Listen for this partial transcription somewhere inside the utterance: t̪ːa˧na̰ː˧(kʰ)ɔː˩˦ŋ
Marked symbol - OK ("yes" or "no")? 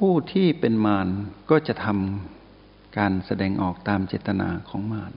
yes